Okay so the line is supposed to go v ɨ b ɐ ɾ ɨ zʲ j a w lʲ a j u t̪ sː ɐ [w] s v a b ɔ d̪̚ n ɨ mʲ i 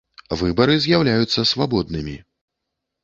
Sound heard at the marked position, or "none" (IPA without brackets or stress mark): none